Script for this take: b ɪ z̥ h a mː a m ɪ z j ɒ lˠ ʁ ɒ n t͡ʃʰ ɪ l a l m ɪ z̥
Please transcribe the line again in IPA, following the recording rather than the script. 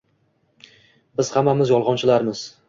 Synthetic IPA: b ɪ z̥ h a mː a m ɪ z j ɒ lˠ ʁ ɒ n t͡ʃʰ ɪ l a ɾ m ɪ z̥